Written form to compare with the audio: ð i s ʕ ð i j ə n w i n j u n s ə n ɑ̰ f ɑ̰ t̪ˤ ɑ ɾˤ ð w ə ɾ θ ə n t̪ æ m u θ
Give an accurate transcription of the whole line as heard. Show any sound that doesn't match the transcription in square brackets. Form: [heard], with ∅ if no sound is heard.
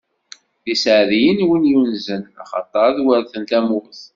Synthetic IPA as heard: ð i s ʕ ð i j ə n w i n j u n [z] ə n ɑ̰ [χ] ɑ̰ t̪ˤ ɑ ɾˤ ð w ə ɾ θ ə n t̪ æ m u θ